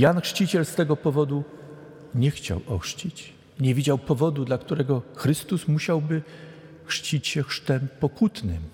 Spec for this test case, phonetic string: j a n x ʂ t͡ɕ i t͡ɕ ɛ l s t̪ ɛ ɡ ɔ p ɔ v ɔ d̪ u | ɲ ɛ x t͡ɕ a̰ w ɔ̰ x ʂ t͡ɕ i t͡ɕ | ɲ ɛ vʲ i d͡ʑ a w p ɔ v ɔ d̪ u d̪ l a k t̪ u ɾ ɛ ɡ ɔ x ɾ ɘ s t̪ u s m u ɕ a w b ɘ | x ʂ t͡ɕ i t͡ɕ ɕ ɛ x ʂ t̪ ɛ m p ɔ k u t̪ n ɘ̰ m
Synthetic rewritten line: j a n x ʂ t͡ɕ i t͡ɕ ɛ l s t̪ ɛ ɡ ɔ p ɔ v ɔ d̪ u | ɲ ɛ x t͡ɕ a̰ w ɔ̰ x ʂ t͡ɕ i t͡ɕ | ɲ ɛ vʲ i d͡ʑ a w p ɔ v ɔ d̪ u d̪ l a k t̪ u ɾ ɛ ɡ ɔ x ɾ ɘ s t̪ u s m u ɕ a w b ɘ | x ʂ t͡ɕ i t͡ɕ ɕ ɛ x ʂ t̪ ɛ m p ɔ k u t̪ n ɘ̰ m